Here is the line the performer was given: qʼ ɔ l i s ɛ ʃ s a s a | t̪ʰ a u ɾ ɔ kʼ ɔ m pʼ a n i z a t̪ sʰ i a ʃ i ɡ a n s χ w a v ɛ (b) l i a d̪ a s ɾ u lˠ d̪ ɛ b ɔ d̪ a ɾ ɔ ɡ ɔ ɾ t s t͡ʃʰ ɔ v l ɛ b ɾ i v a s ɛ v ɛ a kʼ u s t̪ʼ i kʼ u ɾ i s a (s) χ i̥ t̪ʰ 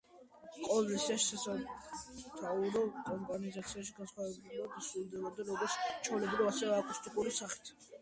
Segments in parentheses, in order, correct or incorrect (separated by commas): correct, incorrect